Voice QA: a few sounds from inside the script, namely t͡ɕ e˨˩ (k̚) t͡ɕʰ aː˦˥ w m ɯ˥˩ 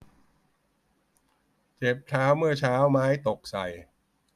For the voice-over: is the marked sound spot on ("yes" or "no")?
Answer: no